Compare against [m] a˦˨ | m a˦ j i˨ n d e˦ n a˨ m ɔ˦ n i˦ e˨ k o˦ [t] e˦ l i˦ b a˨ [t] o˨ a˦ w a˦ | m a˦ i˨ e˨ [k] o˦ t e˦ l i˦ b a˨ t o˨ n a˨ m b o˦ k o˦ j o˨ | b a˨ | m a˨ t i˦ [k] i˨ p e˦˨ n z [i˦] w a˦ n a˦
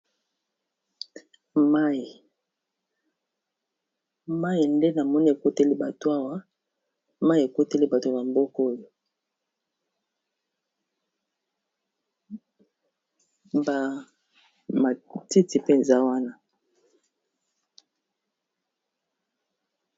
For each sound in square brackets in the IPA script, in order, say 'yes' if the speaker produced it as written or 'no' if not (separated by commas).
yes, yes, yes, yes, no, no